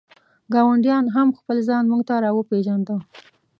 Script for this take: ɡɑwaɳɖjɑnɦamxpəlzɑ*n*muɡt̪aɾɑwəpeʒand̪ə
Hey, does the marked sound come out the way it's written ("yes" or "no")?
yes